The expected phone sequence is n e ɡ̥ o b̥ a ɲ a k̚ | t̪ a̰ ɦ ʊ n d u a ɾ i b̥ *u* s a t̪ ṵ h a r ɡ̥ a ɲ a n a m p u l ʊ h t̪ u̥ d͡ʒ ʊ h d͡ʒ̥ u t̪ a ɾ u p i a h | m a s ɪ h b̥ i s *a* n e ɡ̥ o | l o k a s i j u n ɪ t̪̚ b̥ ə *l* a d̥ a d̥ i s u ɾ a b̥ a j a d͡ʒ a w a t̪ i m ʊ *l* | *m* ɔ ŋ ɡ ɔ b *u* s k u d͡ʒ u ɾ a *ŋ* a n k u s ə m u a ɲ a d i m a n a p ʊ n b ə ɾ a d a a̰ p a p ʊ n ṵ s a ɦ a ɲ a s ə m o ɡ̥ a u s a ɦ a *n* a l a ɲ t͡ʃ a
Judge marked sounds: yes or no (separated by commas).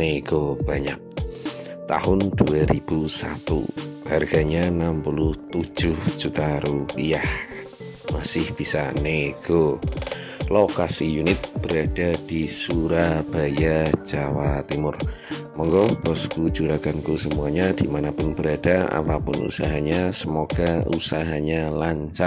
yes, yes, no, no, yes, no, no, no